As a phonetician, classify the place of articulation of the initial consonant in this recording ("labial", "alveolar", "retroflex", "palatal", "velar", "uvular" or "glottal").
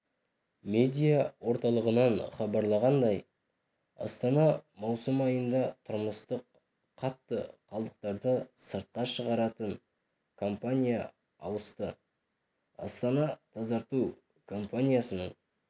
labial